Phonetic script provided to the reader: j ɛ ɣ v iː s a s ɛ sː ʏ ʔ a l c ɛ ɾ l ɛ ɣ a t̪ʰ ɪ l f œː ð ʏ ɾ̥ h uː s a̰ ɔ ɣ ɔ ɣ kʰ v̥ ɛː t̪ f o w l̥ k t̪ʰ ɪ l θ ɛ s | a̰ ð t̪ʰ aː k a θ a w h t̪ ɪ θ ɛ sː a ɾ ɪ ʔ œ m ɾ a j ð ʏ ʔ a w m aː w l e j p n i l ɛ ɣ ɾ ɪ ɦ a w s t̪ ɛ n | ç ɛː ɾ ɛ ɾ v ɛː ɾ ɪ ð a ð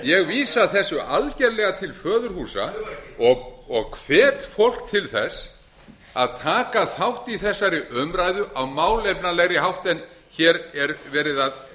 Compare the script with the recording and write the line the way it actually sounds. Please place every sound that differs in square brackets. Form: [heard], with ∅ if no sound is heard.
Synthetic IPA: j ɛ ɣ v iː s a [θ] ɛ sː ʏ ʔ a l c ɛ ɾ l ɛ ɣ a t̪ʰ ɪ l f œː ð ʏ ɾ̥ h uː s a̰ ɔ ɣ ɔ ɣ kʰ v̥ ɛː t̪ f o w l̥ k t̪ʰ ɪ l θ ɛ s | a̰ ð t̪ʰ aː k a θ a w h t̪ [i] θ ɛ sː a ɾ ɪ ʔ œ m ɾ a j ð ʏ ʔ a w m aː w l e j p n [a] l ɛ ɣ ɾ ɪ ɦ a w [h] t̪ ɛ n | ç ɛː ɾ ɛ ɾ v ɛː ɾ ɪ ð a ð